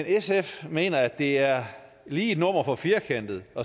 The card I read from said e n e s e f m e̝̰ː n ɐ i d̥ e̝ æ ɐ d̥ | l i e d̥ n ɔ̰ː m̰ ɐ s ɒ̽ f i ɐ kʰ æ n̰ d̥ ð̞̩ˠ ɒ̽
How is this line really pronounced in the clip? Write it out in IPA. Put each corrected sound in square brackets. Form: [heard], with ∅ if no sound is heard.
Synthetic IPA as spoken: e n e s e f m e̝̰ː n ɐ [æ] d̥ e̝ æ ɐ [∅] | l [iː] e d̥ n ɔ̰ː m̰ ɐ [f] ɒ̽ f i ɐ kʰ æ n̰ d̥ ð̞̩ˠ ɒ̽